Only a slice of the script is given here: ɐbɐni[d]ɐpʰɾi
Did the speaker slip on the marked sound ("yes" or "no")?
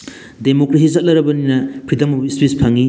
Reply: yes